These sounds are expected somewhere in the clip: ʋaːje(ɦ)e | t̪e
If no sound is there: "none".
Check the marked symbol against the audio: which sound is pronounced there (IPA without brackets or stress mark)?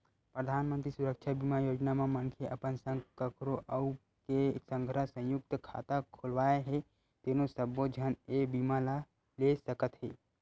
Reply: ɦ